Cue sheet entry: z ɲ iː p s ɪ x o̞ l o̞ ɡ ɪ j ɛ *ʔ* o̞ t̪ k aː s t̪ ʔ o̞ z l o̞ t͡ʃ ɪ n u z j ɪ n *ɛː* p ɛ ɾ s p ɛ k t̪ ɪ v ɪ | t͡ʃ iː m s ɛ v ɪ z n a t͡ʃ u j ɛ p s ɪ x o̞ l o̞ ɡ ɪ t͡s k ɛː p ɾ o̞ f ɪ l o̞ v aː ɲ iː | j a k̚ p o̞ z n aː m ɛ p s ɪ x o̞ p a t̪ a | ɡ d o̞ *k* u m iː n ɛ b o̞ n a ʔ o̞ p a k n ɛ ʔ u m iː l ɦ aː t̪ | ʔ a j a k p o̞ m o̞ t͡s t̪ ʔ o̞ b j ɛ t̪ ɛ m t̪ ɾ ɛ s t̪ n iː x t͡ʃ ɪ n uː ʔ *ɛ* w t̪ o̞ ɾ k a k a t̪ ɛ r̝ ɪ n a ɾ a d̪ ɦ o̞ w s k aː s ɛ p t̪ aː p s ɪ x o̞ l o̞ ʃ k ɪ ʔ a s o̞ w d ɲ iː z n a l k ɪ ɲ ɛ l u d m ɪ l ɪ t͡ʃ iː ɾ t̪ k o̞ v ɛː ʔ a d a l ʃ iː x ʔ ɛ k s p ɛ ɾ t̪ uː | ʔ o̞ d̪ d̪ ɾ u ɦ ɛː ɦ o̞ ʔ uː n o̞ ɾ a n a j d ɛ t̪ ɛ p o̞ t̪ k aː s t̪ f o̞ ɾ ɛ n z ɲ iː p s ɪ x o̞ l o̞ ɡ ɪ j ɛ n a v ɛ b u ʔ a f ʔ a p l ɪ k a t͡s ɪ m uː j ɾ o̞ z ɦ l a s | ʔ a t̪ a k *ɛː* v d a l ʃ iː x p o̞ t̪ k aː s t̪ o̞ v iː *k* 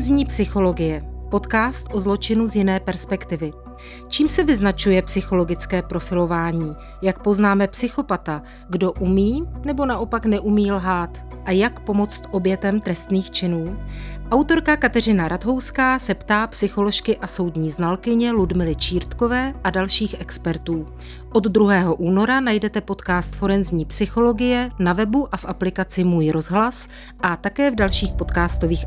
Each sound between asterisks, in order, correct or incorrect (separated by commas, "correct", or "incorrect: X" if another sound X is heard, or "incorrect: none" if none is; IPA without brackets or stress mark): incorrect: p, correct, incorrect: ʔ, incorrect: a, correct, incorrect: x